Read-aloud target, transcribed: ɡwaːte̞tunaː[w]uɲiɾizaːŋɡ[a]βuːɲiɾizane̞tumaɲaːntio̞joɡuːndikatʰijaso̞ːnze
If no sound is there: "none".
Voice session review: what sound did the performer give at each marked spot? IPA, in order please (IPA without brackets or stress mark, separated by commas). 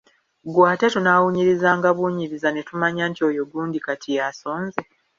w, a